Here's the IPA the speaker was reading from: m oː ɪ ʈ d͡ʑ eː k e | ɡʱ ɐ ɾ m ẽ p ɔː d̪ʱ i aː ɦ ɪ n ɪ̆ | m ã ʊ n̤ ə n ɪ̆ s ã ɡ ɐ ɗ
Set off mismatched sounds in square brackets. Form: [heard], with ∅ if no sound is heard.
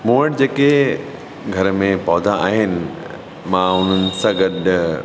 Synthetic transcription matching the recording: m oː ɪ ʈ d͡ʑ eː k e | ɡʱ ɐ ɾ m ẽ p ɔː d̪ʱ [a] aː ɦ ɪ n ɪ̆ | m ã ʊ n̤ ə n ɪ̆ s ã ɡ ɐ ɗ

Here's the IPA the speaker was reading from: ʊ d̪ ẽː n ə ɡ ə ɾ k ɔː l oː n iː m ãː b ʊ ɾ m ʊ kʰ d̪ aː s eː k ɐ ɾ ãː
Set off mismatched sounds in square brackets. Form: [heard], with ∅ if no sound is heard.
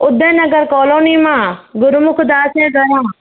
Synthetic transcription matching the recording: ʊ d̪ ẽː n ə ɡ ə ɾ k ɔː l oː n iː m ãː [ɡ] ʊ ɾ m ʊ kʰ d̪ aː s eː [ɡ] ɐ ɾ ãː

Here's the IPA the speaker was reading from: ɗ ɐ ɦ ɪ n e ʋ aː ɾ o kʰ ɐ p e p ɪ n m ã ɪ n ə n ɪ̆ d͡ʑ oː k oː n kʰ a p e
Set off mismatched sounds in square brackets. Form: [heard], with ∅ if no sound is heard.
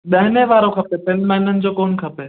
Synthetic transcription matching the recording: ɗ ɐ ɦ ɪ n e ʋ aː ɾ o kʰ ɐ p e p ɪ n m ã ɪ n ə n ɪ̆ d͡ʑ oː k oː n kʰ [ɐ] p e

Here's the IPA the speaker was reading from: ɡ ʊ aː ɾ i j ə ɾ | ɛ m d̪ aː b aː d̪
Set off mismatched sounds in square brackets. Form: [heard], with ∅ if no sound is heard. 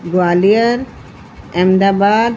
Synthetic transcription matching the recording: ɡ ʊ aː [l] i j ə ɾ | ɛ m d̪ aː b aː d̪

